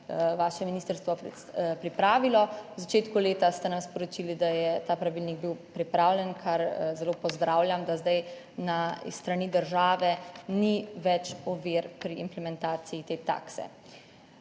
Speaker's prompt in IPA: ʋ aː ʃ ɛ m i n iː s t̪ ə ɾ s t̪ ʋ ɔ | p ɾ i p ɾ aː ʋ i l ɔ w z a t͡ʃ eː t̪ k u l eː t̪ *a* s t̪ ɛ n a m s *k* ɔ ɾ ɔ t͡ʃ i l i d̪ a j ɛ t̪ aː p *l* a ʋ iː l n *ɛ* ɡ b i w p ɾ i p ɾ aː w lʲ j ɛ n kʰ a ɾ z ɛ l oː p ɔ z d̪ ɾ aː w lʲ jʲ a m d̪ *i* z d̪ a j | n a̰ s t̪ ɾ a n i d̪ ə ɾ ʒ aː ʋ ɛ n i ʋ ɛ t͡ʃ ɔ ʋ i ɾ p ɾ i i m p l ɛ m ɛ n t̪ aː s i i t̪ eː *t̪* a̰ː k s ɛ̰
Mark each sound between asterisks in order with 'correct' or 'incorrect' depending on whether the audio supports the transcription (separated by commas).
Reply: correct, incorrect, incorrect, incorrect, incorrect, correct